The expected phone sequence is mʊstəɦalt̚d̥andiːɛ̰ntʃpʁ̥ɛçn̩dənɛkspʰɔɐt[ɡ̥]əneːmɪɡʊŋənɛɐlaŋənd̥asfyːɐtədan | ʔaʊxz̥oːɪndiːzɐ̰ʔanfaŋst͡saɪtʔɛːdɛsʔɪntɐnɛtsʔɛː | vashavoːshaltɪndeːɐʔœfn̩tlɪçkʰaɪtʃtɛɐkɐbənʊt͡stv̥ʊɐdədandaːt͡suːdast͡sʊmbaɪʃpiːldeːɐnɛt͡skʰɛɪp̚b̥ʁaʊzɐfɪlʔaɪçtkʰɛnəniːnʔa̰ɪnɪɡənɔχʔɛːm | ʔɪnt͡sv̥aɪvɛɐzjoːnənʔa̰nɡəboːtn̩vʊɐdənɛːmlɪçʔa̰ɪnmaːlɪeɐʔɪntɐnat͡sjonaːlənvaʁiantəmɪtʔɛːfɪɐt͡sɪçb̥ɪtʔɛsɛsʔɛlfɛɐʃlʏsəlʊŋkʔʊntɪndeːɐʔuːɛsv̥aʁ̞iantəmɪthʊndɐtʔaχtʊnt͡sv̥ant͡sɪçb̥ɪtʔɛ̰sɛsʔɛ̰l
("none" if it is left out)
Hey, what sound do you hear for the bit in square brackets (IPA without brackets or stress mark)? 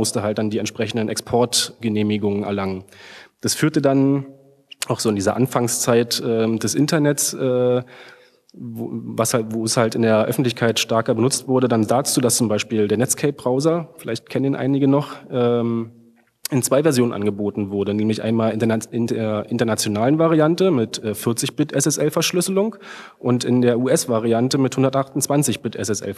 ɡ̥